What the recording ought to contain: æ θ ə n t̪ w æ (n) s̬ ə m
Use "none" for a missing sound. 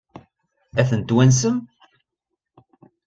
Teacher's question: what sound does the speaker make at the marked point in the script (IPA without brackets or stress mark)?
n